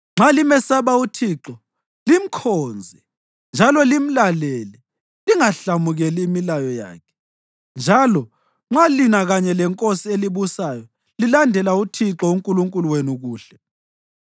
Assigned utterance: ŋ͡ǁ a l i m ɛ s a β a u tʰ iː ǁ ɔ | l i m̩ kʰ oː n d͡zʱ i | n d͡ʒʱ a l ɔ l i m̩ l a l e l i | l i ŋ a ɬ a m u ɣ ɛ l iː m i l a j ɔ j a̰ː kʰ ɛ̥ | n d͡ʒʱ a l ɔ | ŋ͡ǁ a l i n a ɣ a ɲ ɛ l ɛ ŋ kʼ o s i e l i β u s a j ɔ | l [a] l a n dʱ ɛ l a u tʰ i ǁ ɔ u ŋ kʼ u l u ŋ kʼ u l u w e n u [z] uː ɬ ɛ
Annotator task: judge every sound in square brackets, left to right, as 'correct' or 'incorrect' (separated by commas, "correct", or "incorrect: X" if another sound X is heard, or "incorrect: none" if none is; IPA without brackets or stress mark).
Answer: incorrect: i, incorrect: ɣ